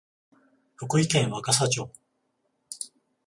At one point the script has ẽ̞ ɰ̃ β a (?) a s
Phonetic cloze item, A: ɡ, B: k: B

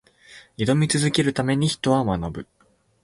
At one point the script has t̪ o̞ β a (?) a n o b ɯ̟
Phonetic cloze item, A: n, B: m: B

